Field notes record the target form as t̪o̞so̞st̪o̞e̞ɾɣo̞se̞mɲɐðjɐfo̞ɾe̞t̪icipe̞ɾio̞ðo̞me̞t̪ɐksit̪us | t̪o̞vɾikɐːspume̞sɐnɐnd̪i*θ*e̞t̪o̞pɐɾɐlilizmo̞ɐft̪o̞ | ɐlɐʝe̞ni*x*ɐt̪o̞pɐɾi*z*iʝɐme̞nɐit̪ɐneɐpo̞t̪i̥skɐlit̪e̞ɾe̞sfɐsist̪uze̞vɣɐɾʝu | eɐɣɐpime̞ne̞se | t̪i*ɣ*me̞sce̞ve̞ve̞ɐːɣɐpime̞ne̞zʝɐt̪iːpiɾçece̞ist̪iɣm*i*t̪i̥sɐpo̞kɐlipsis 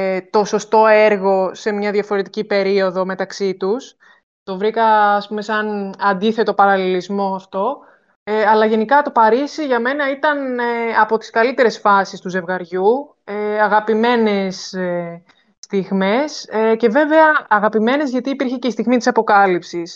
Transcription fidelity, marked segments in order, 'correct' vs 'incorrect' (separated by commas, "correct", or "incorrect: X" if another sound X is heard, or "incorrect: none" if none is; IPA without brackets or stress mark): correct, incorrect: k, incorrect: s, correct, correct